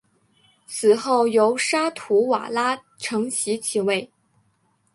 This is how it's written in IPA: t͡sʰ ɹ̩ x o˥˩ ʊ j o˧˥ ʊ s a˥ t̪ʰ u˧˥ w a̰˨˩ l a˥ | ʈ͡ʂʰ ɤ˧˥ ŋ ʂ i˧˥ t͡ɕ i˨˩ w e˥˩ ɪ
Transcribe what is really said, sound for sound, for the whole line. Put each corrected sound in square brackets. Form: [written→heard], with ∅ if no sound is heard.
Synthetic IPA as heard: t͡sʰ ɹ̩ x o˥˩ ʊ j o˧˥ ʊ [s→ʂ] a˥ t̪ʰ u˧˥ w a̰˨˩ l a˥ | ʈ͡ʂʰ ɤ˧˥ ŋ [ʂ→ɕ] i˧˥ [t͡ɕ→t͡ɕʰ] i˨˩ w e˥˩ ɪ